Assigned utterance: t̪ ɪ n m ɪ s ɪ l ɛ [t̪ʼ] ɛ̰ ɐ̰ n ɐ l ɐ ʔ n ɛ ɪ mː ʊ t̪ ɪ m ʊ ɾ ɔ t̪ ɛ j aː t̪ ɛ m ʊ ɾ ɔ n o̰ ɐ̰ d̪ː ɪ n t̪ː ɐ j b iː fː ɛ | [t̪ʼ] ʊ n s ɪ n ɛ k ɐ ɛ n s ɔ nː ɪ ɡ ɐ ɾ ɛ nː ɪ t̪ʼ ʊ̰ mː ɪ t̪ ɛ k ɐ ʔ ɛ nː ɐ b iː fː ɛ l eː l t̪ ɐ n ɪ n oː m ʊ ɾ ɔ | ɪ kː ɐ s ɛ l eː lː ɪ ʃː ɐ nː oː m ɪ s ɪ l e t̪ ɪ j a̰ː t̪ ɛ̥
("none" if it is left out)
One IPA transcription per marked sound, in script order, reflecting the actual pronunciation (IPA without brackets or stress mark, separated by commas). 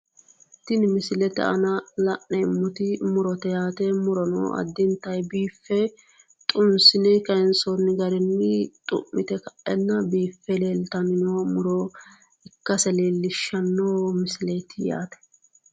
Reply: t̪, t̪ʼ